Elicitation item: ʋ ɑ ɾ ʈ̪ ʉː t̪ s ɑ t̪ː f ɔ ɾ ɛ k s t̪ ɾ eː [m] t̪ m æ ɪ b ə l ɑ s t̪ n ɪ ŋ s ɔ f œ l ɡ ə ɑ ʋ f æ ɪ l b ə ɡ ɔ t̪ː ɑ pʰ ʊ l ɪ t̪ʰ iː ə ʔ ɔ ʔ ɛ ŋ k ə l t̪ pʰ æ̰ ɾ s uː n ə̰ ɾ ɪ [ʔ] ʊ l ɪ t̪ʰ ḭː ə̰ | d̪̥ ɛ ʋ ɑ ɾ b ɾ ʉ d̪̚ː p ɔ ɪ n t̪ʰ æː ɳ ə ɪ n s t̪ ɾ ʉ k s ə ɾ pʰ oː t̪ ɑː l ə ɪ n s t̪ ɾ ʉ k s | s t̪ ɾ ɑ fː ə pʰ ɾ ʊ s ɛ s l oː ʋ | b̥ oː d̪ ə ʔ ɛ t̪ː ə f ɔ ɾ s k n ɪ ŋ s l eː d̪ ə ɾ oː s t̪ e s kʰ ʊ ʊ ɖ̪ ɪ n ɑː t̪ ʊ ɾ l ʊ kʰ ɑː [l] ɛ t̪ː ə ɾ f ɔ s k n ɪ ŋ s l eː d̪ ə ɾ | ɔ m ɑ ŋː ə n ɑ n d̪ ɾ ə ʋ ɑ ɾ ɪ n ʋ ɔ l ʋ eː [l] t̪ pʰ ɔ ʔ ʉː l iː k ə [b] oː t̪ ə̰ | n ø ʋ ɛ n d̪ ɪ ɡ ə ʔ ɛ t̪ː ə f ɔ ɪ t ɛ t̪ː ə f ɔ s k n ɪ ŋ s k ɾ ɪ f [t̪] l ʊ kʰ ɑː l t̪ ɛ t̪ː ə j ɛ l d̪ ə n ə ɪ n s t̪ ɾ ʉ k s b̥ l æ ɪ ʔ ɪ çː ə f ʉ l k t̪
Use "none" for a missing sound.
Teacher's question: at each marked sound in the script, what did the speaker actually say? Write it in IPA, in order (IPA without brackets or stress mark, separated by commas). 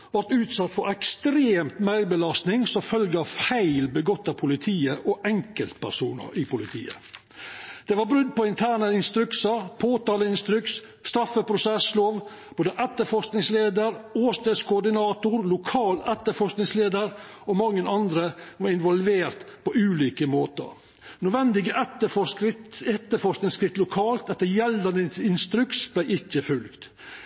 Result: m, p, l, ɾ, m, t̪